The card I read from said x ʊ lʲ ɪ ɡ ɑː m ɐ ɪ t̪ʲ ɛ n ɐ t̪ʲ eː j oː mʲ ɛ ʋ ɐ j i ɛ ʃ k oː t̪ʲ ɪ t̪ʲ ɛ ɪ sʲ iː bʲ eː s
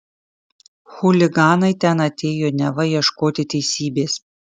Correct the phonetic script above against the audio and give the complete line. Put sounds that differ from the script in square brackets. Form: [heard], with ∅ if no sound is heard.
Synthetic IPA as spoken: x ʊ lʲ ɪ ɡ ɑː [n] ɐ ɪ t̪ʲ ɛ n ɐ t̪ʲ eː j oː [nʲ] ɛ ʋ ɐ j i ɛ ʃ k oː t̪ʲ ɪ t̪ʲ ɛ ɪ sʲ iː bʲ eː s